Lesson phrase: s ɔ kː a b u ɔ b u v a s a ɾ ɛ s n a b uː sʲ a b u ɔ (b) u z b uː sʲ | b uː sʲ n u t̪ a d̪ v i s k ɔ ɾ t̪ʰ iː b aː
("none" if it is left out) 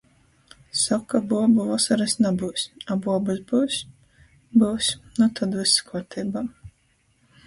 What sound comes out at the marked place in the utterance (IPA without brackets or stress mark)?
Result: b